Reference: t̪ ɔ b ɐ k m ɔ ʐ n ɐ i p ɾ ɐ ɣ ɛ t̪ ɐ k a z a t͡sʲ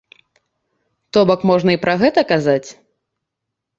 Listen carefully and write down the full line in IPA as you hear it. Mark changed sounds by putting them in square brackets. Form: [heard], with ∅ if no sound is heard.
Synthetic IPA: t̪ ɔ b ɐ k m ɔ ʐ n ɐ i p ɾ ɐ ɣ ɛ t̪ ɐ k a z a t͡sʲ